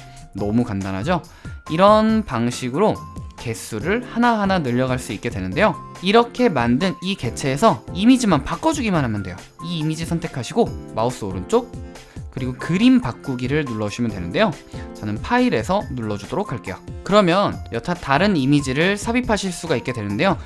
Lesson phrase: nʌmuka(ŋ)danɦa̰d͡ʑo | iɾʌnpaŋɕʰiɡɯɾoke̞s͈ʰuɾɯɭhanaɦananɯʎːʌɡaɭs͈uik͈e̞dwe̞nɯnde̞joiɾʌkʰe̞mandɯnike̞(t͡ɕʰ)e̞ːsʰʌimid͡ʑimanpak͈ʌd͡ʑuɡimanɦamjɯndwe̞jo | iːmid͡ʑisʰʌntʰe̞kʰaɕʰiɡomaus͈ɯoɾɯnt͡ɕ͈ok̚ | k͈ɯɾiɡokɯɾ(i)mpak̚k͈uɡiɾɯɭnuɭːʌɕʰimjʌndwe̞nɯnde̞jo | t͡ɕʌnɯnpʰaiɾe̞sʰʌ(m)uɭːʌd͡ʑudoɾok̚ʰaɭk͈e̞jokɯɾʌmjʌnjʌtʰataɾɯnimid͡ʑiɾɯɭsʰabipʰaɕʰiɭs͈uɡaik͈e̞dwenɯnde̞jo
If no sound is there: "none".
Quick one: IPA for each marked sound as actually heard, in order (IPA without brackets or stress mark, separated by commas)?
n, t͡ɕʰ, i, n